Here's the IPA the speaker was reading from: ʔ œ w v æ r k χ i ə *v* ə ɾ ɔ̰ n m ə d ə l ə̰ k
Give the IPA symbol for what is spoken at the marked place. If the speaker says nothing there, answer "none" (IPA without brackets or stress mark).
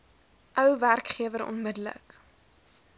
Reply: v